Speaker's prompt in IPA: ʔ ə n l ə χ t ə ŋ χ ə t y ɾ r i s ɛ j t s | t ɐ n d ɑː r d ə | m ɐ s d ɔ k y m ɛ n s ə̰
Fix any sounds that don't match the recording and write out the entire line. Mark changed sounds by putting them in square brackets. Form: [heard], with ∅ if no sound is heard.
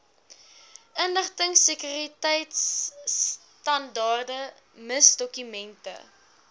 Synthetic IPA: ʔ ə n l ə χ t ə ŋ [s] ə [k] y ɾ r i [t] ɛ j t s | t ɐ n d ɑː r d ə | m [ə] s d ɔ k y m ɛ n [t] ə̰

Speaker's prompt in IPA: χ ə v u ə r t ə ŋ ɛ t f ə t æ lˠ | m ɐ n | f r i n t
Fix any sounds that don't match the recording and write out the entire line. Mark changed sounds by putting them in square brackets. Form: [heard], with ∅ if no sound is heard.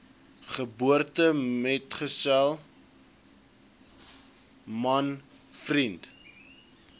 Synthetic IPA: χ ə [b] u ə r t ə [m] ɛ t [χ] ə [s] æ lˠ | m ɐ n | f r i n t

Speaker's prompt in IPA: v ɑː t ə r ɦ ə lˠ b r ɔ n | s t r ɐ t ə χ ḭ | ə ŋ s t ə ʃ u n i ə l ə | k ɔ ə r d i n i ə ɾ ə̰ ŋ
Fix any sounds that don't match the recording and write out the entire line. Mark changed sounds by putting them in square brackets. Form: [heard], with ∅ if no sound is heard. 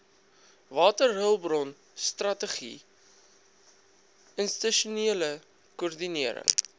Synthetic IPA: v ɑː t ə r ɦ ə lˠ b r ɔ n | s t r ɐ t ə χ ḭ | ə [n] s t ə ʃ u n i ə l ə | k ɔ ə r d i n i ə ɾ ə̰ ŋ

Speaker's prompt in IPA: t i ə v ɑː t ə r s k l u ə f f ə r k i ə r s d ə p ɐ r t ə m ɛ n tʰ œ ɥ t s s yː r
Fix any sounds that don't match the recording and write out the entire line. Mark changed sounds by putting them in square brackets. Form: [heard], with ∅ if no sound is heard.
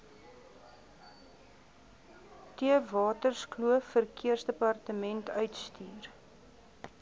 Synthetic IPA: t i ə v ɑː t ə r s k l u ə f f ə r k i ə r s d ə p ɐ r t ə m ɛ n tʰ œ ɥ t s [t] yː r

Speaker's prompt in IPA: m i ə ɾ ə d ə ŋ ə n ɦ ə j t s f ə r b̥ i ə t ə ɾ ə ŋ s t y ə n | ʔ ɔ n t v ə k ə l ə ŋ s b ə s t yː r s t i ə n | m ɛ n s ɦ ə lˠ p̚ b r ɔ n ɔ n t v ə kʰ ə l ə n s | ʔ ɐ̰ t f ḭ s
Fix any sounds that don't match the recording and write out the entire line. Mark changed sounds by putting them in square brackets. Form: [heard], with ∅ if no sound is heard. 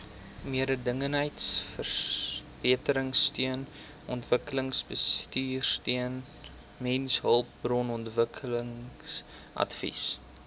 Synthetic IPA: m i ə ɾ ə d ə ŋ ə n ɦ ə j t s f ə r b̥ i ə t ə ɾ ə ŋ s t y ə n | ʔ ɔ n t v ə k ə l ə ŋ s b ə s t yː r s t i ə n | m ɛ n s ɦ ə lˠ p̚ b r ɔ n ɔ n t v ə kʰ ə l ə [ŋ] s | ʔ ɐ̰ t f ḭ s

